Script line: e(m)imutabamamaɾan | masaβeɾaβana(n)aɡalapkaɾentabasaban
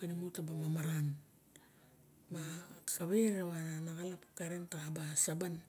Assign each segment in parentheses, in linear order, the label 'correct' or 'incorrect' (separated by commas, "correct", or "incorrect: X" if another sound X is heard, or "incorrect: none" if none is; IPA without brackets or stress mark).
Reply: incorrect: n, correct